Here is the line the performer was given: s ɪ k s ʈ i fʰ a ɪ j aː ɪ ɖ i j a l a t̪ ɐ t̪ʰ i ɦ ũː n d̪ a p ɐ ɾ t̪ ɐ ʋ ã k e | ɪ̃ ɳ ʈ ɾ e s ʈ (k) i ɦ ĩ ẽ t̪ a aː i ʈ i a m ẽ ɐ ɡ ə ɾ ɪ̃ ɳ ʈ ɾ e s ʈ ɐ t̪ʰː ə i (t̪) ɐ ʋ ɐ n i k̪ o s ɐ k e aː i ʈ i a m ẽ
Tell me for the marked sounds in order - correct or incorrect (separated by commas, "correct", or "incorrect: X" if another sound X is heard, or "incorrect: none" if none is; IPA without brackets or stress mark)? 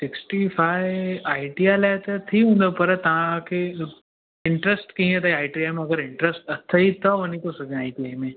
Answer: correct, correct